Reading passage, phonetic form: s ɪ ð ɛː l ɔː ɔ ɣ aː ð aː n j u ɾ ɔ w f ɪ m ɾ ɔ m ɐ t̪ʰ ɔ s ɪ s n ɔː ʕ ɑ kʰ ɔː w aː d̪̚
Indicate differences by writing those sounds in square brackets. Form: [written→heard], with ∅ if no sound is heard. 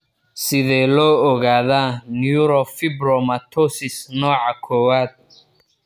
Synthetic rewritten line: s ɪ ð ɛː l ɔː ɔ ɣ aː ð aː n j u ɾ ɔ [w→∅] f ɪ [m→b] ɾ ɔ m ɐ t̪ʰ ɔ s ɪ s n ɔː ʕ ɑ kʰ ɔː w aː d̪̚